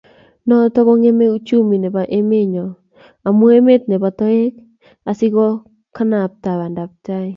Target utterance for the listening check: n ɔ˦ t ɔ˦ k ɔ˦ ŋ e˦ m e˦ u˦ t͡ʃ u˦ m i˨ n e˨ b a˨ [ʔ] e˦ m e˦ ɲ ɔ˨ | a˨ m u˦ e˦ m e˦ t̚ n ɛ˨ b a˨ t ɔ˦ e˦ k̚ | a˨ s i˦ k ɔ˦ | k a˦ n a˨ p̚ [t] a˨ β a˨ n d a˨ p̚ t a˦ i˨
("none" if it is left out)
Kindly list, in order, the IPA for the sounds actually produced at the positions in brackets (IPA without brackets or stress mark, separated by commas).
ʔ, t